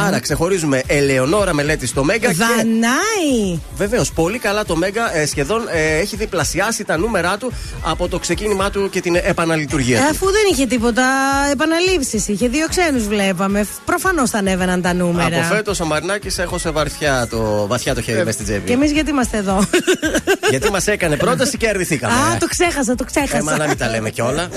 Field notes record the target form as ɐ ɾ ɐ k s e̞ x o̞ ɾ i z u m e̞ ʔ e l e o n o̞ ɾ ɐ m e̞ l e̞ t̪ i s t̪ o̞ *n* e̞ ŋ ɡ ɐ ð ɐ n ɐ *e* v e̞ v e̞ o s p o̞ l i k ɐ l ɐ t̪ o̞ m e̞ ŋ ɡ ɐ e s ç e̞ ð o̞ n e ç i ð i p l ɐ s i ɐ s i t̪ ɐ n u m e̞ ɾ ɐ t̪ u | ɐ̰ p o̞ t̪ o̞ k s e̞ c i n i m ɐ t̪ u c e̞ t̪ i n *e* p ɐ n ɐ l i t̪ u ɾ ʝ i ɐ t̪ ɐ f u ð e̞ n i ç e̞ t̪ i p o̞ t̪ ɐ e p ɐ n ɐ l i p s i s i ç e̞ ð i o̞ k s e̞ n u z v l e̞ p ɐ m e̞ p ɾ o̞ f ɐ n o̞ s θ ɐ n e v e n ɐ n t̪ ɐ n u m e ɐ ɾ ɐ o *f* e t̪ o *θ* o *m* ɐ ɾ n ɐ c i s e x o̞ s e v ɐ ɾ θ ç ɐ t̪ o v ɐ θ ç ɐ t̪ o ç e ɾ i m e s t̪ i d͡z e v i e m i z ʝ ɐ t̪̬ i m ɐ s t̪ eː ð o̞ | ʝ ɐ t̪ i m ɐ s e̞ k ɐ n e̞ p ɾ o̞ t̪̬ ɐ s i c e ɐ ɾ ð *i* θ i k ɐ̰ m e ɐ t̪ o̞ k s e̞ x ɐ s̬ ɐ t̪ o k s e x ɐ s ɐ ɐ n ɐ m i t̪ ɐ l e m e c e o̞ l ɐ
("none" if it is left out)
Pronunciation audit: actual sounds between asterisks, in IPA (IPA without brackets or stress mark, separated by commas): m, i, e, f, s, m, i